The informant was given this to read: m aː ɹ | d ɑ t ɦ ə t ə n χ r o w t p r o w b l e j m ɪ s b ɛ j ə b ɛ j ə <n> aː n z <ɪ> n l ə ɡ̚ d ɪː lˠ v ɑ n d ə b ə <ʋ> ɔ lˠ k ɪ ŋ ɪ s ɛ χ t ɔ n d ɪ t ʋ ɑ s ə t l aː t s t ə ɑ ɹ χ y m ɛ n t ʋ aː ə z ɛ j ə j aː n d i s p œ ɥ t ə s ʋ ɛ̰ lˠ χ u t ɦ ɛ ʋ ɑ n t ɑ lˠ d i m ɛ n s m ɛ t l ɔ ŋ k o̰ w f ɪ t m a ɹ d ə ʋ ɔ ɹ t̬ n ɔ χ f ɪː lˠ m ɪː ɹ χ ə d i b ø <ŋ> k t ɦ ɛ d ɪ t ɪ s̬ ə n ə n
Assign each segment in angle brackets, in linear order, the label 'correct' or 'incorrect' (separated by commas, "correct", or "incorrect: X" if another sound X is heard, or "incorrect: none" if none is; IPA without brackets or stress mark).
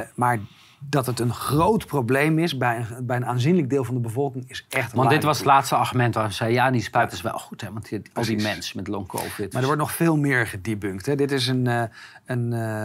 correct, incorrect: i, incorrect: v, correct